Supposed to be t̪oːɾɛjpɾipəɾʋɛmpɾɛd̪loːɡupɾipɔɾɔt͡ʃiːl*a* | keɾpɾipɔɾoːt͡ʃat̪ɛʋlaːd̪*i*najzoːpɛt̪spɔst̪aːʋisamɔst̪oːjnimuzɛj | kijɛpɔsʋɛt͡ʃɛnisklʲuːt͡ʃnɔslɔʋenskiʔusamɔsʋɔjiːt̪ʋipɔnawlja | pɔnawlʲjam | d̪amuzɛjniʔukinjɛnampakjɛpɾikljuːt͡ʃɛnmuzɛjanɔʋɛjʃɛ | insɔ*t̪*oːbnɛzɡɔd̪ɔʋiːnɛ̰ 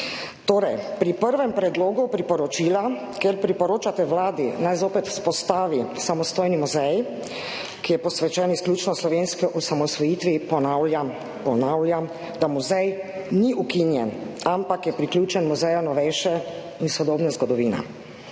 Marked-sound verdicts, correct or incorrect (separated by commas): correct, correct, incorrect